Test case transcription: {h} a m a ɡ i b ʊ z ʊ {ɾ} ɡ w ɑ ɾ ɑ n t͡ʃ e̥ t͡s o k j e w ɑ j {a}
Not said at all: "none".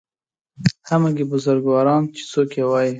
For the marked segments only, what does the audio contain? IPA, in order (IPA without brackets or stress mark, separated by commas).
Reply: h, ɾ, i